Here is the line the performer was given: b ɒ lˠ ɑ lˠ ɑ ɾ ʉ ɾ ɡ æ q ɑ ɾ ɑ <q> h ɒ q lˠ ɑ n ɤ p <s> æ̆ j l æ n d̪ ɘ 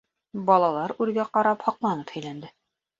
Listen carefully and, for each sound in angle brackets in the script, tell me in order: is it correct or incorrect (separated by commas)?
incorrect, incorrect